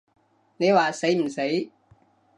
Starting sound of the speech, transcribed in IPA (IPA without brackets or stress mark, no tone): n